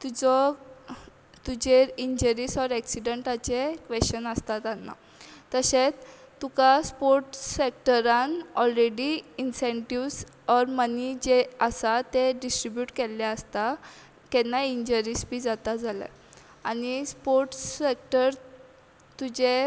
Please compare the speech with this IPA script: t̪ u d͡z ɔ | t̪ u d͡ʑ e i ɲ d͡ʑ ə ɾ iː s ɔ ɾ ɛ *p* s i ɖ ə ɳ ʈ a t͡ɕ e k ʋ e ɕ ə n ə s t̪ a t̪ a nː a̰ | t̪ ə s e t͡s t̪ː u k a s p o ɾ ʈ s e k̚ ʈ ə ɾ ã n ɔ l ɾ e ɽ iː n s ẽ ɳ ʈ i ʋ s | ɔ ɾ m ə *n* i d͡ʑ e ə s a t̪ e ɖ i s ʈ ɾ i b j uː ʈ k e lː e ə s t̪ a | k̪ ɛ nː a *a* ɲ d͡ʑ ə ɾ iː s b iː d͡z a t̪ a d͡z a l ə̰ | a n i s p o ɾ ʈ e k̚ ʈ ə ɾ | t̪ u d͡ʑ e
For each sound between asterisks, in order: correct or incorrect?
incorrect: k, correct, incorrect: i

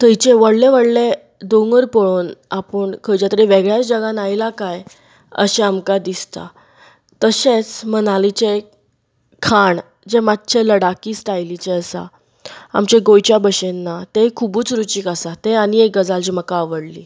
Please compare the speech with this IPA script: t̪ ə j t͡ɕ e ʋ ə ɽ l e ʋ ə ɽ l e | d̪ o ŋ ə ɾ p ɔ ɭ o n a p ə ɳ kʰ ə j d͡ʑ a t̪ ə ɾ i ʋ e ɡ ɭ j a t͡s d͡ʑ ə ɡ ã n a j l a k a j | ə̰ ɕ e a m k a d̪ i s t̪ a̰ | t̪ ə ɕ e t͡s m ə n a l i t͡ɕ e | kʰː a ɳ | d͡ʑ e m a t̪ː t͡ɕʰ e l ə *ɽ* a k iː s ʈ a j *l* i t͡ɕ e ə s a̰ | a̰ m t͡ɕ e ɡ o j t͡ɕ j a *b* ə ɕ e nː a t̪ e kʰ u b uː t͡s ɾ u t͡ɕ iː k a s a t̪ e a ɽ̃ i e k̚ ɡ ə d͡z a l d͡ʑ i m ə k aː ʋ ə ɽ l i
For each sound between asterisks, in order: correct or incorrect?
correct, correct, correct

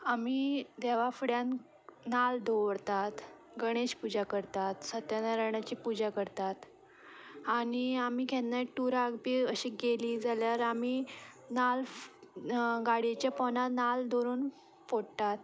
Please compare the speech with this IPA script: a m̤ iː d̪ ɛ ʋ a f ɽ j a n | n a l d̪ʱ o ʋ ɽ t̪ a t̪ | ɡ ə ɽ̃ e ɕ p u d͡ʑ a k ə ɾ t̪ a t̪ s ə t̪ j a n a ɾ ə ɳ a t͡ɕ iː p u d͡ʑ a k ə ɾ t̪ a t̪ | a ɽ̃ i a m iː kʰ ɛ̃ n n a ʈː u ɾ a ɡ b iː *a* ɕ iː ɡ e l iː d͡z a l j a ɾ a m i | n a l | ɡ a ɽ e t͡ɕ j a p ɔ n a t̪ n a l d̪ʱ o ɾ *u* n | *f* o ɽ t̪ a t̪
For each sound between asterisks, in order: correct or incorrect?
incorrect: ə, incorrect: uː, correct

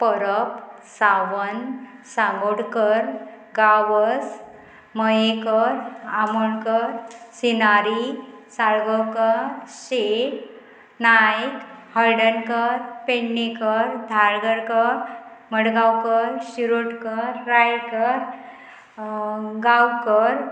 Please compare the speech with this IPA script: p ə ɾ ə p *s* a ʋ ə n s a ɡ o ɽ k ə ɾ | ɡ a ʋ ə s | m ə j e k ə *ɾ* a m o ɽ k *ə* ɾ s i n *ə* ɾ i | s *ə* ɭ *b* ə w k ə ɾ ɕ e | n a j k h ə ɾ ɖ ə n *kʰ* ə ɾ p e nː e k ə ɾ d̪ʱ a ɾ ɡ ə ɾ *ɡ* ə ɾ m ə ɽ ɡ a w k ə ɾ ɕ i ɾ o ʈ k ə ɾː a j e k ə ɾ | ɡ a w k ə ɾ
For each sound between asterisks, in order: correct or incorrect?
correct, correct, correct, incorrect: a, incorrect: a, incorrect: ɡ, incorrect: k, incorrect: k

